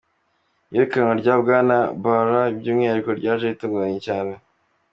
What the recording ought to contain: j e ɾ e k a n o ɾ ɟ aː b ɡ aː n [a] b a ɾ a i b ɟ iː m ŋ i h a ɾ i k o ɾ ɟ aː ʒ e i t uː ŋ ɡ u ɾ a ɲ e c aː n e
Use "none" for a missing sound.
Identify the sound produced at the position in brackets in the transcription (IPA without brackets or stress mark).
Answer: a